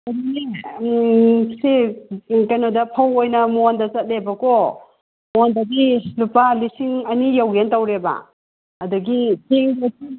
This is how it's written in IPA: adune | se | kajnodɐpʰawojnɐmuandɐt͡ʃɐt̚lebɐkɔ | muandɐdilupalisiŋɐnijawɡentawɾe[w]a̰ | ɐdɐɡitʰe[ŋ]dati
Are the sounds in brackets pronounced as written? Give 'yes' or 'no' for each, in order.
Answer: no, yes

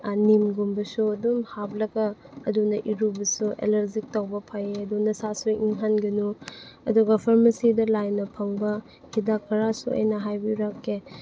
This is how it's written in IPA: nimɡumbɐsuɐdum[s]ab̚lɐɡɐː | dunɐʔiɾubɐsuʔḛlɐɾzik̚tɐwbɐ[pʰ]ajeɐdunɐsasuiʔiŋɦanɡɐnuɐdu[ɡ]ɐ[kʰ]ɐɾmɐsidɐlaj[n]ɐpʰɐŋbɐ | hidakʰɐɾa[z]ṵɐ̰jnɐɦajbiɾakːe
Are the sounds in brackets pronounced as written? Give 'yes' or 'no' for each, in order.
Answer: no, yes, yes, no, yes, no

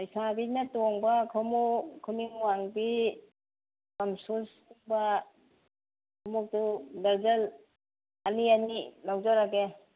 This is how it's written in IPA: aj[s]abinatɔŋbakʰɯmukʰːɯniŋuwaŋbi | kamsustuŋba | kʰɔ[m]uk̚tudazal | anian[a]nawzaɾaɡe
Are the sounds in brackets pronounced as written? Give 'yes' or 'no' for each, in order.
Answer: yes, yes, no

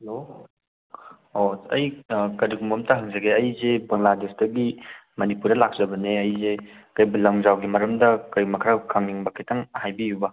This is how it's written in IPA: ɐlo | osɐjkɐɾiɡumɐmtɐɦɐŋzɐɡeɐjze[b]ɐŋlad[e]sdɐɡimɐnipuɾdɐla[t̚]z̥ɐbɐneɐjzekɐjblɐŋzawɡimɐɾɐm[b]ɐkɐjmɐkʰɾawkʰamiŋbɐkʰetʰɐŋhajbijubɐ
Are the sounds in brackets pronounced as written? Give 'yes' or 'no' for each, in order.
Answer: yes, yes, no, no

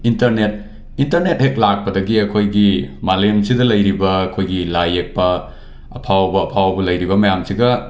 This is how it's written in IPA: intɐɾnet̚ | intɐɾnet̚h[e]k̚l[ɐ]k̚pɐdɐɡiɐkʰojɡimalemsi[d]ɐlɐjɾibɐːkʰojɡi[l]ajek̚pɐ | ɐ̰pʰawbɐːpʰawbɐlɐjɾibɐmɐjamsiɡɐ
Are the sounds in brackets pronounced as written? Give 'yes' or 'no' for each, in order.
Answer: yes, no, yes, yes

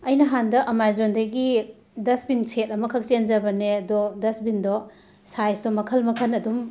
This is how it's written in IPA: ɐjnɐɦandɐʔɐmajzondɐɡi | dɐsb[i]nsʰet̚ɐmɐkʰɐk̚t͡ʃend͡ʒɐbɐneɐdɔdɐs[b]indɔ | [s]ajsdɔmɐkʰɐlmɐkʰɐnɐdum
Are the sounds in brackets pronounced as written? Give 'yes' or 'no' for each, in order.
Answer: yes, yes, yes

